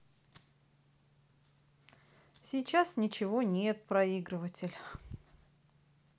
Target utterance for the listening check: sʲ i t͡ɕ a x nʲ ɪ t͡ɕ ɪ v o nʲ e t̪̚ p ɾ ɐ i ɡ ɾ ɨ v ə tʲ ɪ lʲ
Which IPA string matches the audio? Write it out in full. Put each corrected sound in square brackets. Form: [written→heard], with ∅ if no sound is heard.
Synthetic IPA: sʲ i t͡ɕ a [x→s] nʲ ɪ t͡ɕ ɪ v o nʲ e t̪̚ p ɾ ɐ i ɡ ɾ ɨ v ə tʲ ɪ lʲ

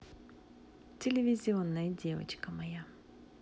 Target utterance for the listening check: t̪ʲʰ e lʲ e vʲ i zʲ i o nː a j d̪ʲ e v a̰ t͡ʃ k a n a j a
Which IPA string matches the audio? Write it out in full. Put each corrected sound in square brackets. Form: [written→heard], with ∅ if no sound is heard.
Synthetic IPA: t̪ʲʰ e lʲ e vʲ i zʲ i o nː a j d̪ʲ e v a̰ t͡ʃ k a [n→m] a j a

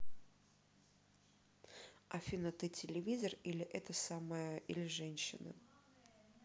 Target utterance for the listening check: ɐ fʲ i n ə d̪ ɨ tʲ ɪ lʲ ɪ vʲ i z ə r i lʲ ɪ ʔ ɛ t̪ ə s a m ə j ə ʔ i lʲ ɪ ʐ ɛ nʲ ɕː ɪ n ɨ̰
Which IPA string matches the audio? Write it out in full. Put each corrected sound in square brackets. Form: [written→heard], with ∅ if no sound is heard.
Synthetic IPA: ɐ fʲ i n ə [d̪→t̪] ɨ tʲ ɪ lʲ ɪ vʲ i z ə r i lʲ ɪ ʔ ɛ t̪ ə s a m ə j ə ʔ i lʲ ɪ ʐ ɛ nʲ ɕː ɪ n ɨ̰

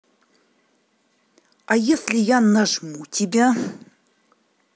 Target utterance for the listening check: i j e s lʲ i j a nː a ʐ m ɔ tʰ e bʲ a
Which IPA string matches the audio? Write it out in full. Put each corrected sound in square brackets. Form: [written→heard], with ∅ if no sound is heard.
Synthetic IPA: [i→a] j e s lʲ i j a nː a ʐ m [ɔ→u] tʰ [e→i] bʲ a

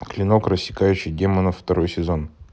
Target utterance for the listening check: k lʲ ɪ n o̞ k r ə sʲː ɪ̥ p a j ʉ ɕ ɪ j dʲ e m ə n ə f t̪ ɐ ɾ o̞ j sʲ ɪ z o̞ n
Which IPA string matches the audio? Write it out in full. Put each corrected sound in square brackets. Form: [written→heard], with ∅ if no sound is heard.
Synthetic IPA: k lʲ ɪ n o̞ k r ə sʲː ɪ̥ [p→k] a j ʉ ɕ ɪ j dʲ e m ə n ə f t̪ ɐ ɾ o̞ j sʲ ɪ z o̞ n

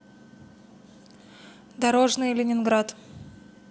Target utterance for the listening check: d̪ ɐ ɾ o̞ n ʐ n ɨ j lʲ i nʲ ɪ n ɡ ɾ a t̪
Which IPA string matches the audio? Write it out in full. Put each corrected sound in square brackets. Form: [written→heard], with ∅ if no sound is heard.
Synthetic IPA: d̪ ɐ ɾ o̞ [n→∅] ʐ n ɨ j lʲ [i→ɪ] nʲ ɪ n ɡ ɾ a t̪

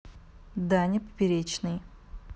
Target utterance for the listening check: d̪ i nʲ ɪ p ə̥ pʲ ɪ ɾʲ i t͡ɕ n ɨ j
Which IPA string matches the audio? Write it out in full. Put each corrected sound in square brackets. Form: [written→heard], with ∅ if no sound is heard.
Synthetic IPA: d̪ [i→a] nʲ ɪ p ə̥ pʲ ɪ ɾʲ [i→e] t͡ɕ n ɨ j

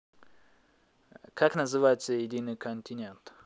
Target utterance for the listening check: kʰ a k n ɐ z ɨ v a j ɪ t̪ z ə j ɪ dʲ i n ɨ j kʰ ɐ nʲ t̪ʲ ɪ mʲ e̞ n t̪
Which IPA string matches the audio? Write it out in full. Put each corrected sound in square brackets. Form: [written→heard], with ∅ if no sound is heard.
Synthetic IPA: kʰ a k n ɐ z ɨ v a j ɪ t̪ [z→s] ə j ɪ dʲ i n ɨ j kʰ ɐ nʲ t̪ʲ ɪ [mʲ→nʲ] e̞ n t̪

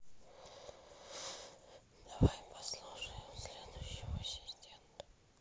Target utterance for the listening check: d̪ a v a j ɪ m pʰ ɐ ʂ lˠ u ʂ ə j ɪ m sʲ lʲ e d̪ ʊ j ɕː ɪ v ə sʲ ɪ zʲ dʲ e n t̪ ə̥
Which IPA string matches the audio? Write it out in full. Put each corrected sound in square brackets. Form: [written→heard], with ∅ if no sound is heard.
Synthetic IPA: d̪ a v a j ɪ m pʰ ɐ [ʂ→s] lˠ u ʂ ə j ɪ m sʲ lʲ e d̪ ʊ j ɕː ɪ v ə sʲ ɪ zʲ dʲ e n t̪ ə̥

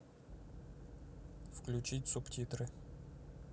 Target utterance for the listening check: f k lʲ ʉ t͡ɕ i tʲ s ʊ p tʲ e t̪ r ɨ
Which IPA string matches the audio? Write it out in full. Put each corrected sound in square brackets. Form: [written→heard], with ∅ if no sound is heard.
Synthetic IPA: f k lʲ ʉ t͡ɕ i tʲ s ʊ p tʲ [e→i] t̪ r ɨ

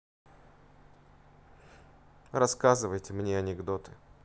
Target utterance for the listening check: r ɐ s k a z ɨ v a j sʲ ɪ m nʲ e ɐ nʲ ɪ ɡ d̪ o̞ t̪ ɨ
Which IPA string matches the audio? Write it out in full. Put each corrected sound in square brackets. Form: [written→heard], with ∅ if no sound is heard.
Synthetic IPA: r ɐ s k a z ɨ v [a→ə] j [sʲ→tʲ] ɪ m nʲ e ɐ nʲ ɪ ɡ d̪ o̞ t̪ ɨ

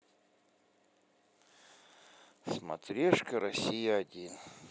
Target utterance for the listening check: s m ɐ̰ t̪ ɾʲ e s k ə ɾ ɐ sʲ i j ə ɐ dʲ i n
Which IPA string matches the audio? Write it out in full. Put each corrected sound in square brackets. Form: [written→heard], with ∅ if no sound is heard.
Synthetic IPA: s m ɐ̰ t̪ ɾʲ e [s→ʂ] k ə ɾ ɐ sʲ i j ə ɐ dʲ i n

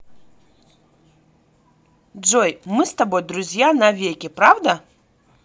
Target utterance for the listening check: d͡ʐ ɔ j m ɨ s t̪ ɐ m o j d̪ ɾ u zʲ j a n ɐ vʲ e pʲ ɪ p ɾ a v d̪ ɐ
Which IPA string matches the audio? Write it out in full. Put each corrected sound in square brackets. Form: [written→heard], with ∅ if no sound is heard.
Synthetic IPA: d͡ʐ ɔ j m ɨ s t̪ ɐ [m→b] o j d̪ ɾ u zʲ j a n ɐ vʲ e [pʲ→kʲ] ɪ p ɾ a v d̪ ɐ

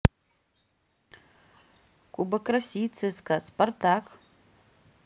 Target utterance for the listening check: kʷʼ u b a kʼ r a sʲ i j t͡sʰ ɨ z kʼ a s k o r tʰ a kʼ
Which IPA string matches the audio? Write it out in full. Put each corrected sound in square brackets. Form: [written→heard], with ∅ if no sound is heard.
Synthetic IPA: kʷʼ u b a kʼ r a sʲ i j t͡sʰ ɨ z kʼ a s [k→p] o r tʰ a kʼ

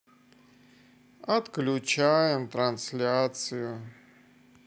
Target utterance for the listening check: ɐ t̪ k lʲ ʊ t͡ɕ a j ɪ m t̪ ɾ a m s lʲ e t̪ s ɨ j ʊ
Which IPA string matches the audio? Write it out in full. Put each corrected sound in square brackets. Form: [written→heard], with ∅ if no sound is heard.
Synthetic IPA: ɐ t̪ k lʲ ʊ t͡ɕ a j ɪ m t̪ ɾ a [m→n] s lʲ [e→a] t̪ s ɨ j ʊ

